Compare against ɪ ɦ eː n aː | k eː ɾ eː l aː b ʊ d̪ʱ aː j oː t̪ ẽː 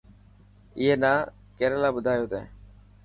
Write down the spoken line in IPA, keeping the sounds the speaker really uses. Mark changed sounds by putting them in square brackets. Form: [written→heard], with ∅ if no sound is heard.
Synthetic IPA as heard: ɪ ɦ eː n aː | k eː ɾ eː l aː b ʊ d̪ʱ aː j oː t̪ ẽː